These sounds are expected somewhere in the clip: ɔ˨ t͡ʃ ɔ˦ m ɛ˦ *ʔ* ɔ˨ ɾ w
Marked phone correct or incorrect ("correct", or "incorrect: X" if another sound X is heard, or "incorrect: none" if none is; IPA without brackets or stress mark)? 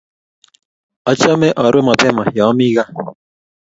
correct